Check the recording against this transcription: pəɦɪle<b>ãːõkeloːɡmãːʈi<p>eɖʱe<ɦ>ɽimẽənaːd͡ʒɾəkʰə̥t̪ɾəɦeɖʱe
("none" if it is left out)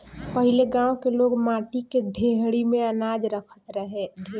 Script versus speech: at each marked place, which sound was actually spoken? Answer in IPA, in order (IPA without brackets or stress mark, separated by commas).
ɡ, k, ɦ